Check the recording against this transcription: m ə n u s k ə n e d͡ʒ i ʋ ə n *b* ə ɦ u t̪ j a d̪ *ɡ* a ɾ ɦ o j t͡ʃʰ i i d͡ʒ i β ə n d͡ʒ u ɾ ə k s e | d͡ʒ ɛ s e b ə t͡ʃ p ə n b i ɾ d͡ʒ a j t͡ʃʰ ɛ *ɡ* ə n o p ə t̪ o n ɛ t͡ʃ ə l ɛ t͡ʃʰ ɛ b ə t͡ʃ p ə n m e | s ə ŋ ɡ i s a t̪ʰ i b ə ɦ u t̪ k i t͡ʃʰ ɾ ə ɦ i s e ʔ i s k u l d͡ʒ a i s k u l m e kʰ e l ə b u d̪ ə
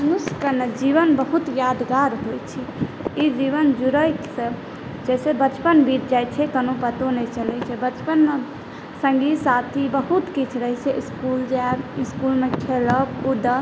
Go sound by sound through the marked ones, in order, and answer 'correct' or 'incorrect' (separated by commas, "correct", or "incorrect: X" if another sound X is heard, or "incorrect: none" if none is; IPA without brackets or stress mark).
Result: correct, correct, incorrect: k